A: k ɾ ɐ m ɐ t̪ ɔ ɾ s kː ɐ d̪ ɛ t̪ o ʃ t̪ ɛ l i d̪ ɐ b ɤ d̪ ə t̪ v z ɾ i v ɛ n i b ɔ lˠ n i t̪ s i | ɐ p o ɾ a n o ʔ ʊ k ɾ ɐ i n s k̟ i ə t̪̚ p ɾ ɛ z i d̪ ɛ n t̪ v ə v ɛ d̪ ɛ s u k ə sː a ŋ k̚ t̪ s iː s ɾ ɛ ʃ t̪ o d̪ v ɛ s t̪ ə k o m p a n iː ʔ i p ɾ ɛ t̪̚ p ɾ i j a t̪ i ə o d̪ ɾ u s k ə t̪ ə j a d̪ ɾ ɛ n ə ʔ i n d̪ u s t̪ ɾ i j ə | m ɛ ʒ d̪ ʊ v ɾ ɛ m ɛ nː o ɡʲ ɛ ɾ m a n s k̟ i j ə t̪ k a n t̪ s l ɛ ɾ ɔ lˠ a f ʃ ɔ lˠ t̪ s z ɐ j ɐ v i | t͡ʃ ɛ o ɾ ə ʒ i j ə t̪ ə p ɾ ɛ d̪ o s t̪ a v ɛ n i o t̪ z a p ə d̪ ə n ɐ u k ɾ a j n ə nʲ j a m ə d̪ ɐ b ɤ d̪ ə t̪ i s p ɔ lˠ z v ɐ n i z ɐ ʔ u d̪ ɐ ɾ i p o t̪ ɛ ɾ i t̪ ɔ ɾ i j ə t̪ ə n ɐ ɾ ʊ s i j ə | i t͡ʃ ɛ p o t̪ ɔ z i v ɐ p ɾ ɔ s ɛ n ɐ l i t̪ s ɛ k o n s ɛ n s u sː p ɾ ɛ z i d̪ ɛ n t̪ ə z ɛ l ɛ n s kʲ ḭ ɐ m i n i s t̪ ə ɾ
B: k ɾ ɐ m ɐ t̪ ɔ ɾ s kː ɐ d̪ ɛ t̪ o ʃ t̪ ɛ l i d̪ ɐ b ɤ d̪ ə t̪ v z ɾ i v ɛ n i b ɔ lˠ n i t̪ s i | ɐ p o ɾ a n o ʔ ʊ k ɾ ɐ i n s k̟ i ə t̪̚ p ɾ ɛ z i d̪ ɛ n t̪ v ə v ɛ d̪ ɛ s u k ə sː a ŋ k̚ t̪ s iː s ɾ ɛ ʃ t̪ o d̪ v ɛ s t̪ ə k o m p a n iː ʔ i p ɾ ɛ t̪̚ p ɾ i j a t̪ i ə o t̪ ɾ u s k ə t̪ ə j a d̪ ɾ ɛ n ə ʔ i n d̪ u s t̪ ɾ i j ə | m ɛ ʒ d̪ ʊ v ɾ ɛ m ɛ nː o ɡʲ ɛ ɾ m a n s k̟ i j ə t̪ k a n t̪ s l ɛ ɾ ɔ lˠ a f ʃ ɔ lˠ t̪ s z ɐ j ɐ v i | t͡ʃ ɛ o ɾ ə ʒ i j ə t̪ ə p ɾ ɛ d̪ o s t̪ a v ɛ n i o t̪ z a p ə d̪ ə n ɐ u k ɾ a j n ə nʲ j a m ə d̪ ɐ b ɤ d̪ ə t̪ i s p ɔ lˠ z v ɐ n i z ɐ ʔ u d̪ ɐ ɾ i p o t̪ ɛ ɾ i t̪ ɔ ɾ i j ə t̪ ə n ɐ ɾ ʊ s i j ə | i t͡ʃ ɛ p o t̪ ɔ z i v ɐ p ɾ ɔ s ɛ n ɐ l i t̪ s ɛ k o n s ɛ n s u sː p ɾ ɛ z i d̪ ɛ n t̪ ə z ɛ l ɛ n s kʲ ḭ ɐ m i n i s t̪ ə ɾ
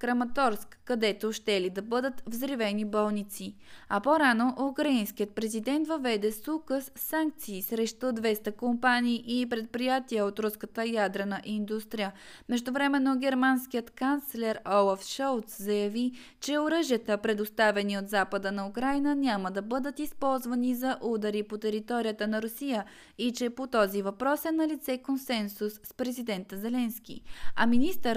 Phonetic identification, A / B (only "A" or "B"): B